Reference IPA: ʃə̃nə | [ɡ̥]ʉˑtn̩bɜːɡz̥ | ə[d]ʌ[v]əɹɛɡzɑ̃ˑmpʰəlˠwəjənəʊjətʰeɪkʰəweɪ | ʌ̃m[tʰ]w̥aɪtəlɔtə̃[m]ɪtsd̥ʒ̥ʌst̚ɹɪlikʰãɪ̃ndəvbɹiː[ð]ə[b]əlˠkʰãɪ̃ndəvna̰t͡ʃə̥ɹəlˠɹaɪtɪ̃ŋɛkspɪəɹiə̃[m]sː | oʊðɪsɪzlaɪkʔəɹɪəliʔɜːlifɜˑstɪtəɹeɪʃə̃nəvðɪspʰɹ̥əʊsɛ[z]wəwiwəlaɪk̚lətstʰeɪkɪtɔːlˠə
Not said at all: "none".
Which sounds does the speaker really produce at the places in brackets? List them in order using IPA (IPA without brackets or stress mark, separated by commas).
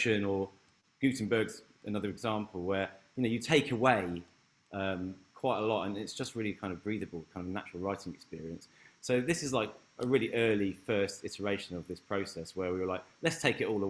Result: ɡ̥, n, ð, kʰ, n, ð, b, n, s